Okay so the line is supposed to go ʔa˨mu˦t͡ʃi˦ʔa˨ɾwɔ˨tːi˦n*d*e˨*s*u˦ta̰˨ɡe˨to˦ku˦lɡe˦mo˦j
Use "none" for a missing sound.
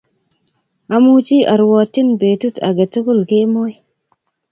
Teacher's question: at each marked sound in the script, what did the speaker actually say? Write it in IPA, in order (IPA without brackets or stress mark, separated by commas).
b, t